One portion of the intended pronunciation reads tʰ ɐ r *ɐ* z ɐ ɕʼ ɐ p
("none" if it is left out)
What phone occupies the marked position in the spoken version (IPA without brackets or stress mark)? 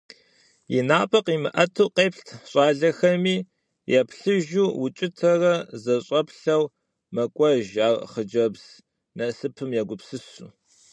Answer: ɐ